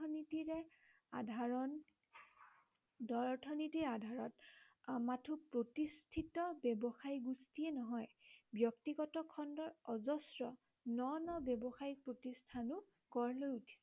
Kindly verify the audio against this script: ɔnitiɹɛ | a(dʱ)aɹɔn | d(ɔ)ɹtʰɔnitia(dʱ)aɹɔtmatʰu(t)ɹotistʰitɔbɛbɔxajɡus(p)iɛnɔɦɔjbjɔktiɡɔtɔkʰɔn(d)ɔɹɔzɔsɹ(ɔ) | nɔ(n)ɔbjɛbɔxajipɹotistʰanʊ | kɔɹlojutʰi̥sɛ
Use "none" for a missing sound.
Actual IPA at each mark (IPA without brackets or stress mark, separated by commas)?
dʱ, ɔ, dʱ, p, t, d, ɔ, n